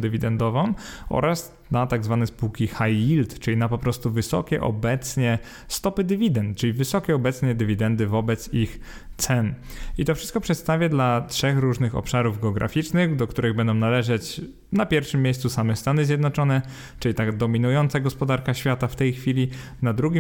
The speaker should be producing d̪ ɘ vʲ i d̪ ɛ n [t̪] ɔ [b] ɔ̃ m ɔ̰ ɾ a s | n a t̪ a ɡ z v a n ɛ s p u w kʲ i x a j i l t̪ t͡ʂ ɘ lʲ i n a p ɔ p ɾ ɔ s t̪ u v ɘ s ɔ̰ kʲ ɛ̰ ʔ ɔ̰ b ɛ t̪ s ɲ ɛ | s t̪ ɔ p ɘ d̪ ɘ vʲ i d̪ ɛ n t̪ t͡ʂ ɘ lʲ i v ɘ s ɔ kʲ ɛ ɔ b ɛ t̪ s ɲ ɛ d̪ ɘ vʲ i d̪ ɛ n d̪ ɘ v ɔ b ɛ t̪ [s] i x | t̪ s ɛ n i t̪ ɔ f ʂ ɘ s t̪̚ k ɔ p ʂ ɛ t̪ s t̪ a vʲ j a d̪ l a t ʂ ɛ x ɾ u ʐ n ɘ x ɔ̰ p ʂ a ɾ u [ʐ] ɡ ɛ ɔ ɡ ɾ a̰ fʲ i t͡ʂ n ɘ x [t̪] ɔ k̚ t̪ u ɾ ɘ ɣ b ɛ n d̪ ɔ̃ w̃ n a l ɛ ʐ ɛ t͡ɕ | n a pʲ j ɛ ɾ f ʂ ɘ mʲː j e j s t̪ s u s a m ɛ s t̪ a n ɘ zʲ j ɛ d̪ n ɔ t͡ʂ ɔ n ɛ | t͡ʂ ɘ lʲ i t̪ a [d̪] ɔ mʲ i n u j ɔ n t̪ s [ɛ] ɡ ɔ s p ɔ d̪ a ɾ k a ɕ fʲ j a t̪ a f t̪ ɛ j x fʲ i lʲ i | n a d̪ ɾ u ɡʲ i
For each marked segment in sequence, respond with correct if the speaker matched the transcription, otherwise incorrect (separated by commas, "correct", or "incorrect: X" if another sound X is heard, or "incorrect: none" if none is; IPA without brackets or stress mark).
incorrect: d̪, incorrect: v, correct, incorrect: v, incorrect: d̪, correct, incorrect: a